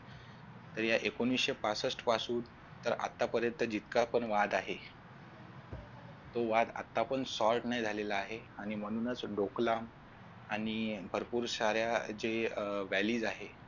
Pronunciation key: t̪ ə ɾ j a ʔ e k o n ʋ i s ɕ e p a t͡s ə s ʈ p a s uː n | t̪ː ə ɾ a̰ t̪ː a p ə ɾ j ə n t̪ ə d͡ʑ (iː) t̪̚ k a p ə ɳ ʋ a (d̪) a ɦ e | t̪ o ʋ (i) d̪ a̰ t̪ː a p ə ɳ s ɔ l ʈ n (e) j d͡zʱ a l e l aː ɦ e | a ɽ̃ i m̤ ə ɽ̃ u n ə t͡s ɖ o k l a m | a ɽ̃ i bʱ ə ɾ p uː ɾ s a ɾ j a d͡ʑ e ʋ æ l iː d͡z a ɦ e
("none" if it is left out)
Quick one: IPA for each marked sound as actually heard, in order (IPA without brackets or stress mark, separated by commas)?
i, d̪, a, a